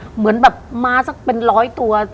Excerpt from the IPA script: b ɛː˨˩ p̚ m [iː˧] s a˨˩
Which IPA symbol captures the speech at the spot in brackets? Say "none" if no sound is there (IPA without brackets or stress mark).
aː˧